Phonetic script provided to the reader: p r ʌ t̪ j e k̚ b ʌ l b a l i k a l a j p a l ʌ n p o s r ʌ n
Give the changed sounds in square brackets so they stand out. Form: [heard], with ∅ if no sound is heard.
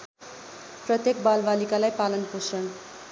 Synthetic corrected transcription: p r ʌ t̪ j e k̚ b [a] l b a l i k a l a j p a l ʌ n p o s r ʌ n